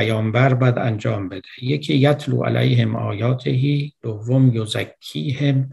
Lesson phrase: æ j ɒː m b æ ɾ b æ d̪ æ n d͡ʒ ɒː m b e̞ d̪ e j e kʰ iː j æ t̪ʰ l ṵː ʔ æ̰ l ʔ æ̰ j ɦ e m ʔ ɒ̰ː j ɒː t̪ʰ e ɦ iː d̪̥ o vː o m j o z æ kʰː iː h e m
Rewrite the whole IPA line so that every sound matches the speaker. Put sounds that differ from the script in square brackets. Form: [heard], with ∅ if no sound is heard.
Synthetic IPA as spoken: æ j ɒː m b æ ɾ b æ d̪ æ n d͡ʒ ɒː m b e̞ d̪ e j e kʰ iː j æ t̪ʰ l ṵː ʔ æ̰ l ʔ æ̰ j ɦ e m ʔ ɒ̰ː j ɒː t̪ʰ e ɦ iː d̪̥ o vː o m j o z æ kʰː iː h e m